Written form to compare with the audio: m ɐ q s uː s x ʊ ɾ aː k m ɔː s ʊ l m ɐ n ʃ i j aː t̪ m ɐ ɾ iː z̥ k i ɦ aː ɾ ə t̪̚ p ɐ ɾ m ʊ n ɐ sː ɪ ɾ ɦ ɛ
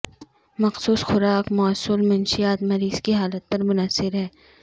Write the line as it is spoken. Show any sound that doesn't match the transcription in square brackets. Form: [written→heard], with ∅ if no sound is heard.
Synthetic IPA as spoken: m ɐ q s uː s x ʊ ɾ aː k m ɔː s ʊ l m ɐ n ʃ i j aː t̪ m ɐ ɾ iː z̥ k i ɦ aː [ɾ→l] ə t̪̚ p ɐ ɾ m ʊ n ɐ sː ɪ ɾ ɦ [ɛ→ɛː]